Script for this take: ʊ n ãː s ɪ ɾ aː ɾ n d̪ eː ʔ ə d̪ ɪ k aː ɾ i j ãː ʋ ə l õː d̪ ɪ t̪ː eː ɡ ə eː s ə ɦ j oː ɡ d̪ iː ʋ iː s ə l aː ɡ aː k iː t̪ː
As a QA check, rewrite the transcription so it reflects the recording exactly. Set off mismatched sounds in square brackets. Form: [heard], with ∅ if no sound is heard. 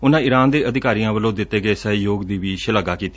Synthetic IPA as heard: ʊ n ãː [∅] ɪ ɾ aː [∅] n d̪ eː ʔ ə d̪ ɪ k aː ɾ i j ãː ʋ ə l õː d̪ ɪ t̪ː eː ɡ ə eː s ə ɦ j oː ɡ d̪ iː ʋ iː [ʃ] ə l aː ɡ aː k iː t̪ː